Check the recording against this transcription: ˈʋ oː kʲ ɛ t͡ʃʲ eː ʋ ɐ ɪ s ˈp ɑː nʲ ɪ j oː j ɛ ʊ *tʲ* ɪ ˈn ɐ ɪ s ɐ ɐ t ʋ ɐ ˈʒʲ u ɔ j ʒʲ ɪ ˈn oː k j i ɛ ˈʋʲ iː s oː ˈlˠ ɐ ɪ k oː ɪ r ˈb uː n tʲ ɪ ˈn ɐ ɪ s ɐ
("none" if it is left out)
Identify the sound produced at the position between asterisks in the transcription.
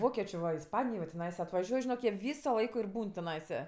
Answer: tʲ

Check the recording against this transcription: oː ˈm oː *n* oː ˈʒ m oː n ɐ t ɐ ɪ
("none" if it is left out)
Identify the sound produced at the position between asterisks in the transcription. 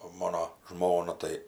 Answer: n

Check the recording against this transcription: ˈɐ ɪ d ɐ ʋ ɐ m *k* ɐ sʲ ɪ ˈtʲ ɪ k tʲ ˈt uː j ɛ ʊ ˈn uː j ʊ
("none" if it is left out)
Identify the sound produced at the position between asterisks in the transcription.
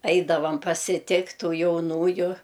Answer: p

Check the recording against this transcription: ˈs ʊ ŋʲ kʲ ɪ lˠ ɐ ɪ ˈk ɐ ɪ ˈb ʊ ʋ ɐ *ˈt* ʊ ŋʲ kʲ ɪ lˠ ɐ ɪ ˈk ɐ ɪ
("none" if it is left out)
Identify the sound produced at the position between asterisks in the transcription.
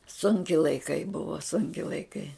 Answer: s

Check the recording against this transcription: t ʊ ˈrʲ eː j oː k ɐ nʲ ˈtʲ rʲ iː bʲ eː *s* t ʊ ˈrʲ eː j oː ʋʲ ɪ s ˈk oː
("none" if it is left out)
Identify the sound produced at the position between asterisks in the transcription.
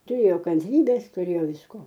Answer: s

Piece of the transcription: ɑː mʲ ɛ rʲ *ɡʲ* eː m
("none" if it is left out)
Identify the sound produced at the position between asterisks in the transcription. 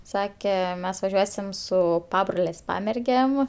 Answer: ɡʲ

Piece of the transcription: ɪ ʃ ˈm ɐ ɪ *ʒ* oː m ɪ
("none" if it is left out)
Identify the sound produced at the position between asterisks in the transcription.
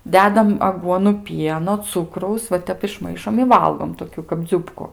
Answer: ʃ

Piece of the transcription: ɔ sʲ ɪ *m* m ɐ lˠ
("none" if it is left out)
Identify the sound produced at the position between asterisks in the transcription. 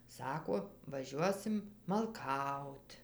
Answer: m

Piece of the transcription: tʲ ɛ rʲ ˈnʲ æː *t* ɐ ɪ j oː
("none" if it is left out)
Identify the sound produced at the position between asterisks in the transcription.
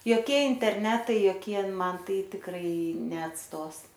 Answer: t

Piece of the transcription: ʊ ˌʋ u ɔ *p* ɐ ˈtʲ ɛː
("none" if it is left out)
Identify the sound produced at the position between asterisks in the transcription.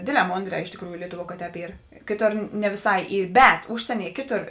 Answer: k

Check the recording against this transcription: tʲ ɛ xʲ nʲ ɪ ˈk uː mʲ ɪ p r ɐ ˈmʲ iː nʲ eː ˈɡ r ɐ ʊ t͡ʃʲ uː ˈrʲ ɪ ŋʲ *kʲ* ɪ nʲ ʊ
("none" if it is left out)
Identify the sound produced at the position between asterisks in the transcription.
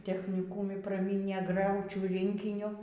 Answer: kʲ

